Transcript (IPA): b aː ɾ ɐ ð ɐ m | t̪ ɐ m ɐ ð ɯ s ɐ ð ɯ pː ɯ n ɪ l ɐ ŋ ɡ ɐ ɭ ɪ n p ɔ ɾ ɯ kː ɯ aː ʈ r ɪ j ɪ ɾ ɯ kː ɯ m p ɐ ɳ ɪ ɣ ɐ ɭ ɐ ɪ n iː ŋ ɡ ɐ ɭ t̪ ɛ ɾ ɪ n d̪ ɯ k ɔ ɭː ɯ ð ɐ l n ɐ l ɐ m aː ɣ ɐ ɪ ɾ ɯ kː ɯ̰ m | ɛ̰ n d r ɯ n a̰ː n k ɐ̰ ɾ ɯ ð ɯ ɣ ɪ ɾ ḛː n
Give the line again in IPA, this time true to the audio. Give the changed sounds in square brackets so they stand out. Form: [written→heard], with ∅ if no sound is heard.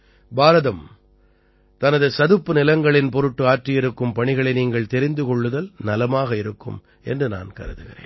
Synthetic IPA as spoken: b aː ɾ ɐ ð ɐ m | t̪ ɐ [m→n] ɐ ð ɯ s ɐ ð ɯ pː ɯ n ɪ l ɐ ŋ ɡ ɐ ɭ ɪ n p ɔ ɾ ɯ [kː→ʈː] ɯ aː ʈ r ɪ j ɪ ɾ ɯ kː ɯ m p ɐ ɳ ɪ ɣ ɐ ɭ ɐ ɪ n iː ŋ ɡ ɐ ɭ t̪ ɛ ɾ ɪ n d̪ ɯ k ɔ ɭː ɯ ð ɐ l n ɐ l ɐ m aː ɣ ɐ ɪ ɾ ɯ kː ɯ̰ m | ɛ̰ n d r ɯ n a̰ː n k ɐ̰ ɾ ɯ ð ɯ ɣ ɪ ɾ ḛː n